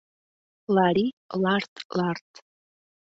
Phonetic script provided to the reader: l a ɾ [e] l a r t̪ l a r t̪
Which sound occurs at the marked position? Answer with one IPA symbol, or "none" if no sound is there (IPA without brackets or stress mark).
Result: i